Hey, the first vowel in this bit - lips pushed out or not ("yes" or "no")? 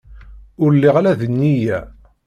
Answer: yes